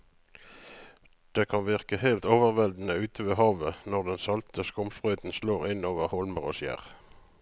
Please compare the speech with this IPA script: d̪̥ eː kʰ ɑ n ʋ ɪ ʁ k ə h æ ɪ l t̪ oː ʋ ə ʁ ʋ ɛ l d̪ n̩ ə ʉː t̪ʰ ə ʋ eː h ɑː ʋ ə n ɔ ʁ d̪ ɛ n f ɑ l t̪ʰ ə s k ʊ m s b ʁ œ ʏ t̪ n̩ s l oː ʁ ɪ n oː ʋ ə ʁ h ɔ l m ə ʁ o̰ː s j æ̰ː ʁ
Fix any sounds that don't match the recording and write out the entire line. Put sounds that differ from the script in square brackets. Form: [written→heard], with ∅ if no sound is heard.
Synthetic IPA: d̪̥ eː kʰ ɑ n ʋ ɪ ʁ k ə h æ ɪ l t̪ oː ʋ ə ʁ ʋ ɛ l d̪ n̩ ə ʉː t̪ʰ ə ʋ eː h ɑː ʋ ə n ɔ ʁ d̪ ɛ n [f→s] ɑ l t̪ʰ ə s k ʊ m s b ʁ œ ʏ t̪ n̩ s l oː ʁ ɪ n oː ʋ ə ʁ h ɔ l m ə ʁ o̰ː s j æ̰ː ʁ